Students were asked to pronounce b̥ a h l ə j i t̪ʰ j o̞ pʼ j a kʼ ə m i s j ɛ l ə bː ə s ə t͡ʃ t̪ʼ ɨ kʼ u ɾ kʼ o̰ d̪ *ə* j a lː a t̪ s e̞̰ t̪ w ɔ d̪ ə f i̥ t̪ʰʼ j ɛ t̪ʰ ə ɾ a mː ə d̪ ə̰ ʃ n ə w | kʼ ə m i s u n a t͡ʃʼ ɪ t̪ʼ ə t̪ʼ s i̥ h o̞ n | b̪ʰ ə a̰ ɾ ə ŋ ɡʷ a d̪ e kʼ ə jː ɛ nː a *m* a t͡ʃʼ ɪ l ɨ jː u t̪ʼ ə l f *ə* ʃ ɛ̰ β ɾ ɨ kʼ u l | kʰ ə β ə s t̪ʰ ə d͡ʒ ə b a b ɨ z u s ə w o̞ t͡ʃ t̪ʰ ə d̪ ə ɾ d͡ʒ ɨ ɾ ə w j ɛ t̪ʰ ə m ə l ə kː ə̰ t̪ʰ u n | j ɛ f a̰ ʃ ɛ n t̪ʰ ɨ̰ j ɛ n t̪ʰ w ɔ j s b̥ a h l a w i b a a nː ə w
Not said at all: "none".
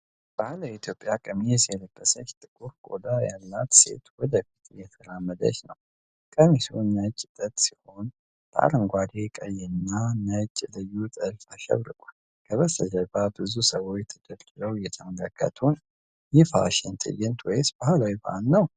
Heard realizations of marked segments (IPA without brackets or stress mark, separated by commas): a, n, a